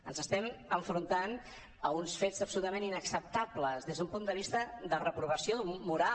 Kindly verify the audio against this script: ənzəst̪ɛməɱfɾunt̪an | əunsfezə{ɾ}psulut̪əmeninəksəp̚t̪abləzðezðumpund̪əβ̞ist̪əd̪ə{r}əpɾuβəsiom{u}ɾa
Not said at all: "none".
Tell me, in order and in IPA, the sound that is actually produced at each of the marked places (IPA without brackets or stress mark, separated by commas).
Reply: none, r, u